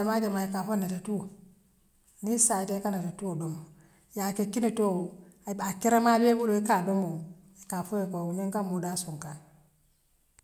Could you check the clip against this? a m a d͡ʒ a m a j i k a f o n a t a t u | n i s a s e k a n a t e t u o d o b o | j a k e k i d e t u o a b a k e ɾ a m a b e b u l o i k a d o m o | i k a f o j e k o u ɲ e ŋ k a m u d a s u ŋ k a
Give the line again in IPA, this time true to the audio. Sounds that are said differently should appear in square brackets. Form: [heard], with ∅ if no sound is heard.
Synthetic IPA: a m a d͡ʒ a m a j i k a f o n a t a t u | n i s a [t] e k a n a t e t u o d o [m] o | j a k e k i [n] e t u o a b a k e ɾ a m a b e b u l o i k a d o m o | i k a f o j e k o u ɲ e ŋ k a m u d a s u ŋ k a